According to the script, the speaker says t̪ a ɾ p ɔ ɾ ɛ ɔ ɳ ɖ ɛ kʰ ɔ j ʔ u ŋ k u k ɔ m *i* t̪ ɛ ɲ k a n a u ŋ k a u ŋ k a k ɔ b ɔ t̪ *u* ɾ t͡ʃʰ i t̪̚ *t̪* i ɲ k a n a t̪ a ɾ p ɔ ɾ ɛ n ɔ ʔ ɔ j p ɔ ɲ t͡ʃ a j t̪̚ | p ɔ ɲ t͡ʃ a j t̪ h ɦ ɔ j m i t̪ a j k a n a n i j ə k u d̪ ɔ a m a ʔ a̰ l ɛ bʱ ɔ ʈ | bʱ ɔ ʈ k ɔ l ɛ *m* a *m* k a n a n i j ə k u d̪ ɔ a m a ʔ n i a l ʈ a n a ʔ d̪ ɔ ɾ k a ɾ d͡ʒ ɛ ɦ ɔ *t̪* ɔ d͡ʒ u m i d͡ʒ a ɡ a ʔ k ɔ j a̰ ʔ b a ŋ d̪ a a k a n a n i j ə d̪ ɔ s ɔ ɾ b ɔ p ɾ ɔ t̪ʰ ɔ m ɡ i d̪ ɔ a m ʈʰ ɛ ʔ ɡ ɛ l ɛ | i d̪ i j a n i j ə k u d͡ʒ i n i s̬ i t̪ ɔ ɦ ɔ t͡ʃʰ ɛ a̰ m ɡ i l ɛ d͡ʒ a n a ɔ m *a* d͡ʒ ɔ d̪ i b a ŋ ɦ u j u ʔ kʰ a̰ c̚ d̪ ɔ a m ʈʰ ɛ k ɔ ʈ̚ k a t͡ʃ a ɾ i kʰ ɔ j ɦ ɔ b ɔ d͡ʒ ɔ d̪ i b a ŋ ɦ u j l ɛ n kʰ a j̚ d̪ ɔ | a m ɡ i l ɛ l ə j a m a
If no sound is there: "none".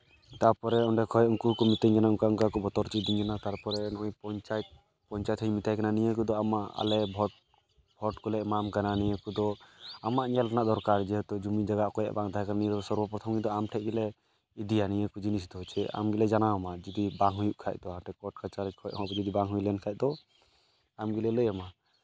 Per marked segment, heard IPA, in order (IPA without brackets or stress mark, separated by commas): i, ɔ, d̪, m, m, t̪, a